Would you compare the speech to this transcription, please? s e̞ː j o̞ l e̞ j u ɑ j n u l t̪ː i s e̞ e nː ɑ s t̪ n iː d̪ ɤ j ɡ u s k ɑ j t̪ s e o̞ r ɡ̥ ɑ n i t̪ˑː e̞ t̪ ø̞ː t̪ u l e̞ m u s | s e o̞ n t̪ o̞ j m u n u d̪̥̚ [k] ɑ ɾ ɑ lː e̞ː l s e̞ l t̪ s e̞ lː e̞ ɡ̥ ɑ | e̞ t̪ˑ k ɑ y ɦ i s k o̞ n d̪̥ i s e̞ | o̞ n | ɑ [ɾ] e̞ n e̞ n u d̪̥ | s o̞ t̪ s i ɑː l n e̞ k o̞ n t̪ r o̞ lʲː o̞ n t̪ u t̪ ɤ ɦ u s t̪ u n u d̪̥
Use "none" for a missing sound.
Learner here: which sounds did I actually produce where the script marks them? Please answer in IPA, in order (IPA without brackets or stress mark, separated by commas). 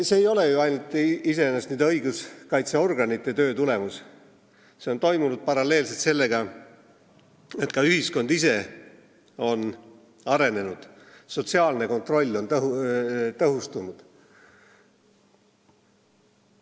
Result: p, ɾ